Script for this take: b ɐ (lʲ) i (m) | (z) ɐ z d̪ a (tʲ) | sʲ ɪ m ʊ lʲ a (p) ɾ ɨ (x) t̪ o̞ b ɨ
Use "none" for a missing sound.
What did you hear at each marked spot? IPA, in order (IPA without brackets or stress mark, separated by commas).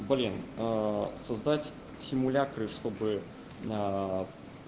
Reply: lʲ, n, s, tʲ, k, ʂ